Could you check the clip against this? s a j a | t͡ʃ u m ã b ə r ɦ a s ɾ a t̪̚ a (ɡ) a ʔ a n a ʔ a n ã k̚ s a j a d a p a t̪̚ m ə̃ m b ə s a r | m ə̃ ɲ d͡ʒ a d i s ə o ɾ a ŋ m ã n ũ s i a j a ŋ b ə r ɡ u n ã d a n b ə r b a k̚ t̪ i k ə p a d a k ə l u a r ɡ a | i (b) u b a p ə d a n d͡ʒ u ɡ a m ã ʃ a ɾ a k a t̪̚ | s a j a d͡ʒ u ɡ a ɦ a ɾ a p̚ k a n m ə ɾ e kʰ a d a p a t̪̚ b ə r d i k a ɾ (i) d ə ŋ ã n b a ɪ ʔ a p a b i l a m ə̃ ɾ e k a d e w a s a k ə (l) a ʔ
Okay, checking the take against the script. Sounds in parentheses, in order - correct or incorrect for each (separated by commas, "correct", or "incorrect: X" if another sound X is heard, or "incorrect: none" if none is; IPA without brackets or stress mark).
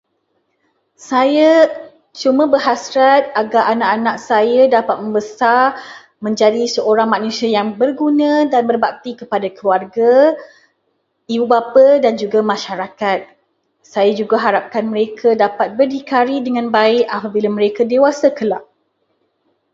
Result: correct, correct, correct, correct